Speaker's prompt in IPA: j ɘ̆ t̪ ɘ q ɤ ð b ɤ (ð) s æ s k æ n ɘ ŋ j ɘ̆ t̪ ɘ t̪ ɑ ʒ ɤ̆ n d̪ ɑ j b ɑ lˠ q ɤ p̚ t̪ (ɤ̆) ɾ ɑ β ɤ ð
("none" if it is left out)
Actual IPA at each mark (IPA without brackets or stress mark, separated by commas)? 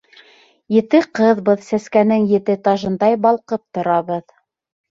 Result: ð, ŏ